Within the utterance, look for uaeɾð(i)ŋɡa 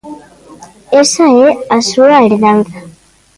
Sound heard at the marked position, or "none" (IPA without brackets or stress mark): a